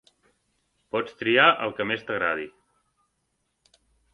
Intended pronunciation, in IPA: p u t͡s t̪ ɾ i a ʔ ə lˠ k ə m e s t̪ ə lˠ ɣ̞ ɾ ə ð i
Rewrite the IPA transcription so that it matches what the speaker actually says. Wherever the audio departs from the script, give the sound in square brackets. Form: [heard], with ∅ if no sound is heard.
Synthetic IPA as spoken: p [ɔ] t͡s t̪ ɾ i a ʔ ə lˠ k ə m e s t̪ ə [∅] ɣ̞ ɾ [a] ð i